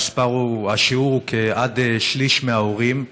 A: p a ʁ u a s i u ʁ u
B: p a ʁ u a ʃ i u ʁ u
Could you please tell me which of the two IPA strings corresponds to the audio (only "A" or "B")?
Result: B